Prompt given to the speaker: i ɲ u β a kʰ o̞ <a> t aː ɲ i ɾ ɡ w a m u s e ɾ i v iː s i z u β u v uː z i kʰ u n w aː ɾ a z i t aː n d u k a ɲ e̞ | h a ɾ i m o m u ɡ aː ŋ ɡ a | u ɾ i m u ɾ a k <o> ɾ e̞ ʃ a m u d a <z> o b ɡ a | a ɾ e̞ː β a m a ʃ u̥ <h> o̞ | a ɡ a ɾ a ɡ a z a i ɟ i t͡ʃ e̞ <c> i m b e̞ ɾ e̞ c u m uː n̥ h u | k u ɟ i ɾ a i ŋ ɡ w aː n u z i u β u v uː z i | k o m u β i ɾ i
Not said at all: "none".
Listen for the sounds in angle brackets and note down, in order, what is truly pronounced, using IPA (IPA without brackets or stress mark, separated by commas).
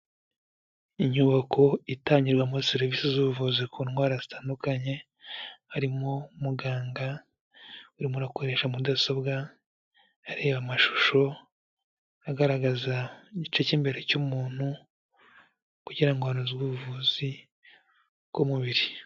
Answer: i, o, s, ʃ, c